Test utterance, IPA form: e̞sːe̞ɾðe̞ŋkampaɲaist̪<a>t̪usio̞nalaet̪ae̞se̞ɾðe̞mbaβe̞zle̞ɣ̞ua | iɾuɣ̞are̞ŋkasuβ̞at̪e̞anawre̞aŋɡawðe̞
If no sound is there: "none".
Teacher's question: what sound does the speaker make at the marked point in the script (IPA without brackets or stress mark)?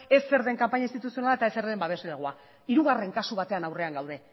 i